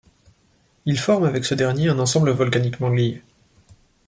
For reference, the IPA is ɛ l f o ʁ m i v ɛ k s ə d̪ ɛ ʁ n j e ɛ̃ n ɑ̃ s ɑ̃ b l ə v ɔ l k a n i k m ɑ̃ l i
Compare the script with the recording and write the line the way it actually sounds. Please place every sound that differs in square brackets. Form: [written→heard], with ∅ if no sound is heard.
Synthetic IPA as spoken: [ɛ→i] l f [o→ɔ] ʁ m [i→a] v ɛ k s ə d̪ ɛ ʁ n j e ɛ̃ n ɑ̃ s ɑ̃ b l ə v ɔ l k a n i k m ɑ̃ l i